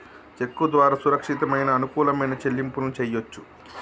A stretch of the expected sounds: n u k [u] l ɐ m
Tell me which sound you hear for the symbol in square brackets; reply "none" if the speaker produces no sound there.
uː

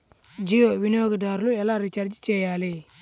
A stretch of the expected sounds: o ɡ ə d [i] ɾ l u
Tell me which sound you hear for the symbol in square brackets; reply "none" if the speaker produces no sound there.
a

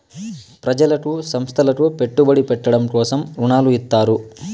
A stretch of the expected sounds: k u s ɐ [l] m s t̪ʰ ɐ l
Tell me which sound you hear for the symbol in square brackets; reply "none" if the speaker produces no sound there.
none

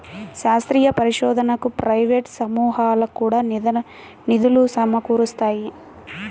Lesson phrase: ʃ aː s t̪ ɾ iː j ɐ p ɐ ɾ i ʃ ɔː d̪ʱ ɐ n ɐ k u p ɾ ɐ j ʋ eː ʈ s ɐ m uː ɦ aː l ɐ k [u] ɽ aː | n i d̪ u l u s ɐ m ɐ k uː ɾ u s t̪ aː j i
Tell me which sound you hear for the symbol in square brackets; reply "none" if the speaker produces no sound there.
uː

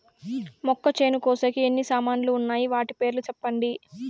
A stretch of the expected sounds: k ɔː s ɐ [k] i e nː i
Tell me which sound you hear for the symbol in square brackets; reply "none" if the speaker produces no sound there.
k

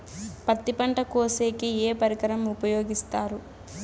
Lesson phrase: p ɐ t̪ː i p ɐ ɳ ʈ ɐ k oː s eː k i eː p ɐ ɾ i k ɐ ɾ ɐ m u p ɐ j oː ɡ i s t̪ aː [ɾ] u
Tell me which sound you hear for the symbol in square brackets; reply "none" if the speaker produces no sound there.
ɾ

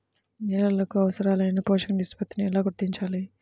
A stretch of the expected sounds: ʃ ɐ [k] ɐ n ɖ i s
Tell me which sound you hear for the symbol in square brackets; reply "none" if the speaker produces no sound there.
k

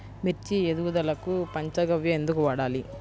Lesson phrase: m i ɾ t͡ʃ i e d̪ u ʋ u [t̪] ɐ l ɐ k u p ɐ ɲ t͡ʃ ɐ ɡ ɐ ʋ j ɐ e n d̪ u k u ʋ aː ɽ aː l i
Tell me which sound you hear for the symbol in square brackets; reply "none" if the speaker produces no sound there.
d̪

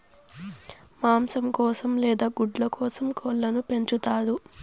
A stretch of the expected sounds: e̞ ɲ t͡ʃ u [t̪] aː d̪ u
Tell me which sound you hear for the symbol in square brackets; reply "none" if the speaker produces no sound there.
t̪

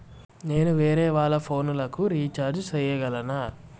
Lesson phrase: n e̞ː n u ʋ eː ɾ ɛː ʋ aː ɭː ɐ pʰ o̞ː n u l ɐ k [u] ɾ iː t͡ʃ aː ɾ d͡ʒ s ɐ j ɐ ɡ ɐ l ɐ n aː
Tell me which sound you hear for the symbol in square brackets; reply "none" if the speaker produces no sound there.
u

